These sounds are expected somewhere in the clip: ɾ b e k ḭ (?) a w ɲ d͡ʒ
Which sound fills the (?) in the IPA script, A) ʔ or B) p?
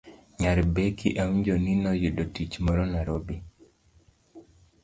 A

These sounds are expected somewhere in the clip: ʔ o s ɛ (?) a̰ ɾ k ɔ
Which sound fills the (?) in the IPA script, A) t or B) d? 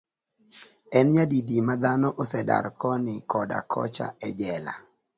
B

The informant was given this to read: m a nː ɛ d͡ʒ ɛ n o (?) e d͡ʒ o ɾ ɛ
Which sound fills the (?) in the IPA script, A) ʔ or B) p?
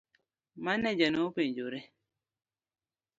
B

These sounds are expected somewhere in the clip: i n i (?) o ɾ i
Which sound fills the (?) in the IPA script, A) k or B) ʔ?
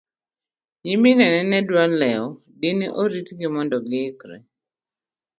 B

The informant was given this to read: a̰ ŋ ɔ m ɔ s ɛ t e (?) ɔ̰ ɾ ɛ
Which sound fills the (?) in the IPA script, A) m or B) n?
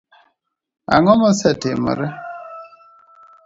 A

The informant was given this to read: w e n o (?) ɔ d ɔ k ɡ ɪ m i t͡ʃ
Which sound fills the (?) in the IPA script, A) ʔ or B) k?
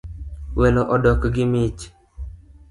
A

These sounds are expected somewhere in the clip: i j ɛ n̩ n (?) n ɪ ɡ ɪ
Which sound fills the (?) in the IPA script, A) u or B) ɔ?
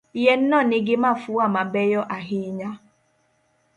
B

